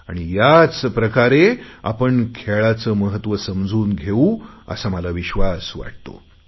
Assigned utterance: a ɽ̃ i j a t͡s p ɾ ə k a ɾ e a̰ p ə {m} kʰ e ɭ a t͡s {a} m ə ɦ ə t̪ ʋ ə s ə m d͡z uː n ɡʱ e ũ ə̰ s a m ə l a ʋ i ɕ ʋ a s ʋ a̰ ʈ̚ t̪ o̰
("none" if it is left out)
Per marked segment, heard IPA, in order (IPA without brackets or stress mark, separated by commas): ɳ, ə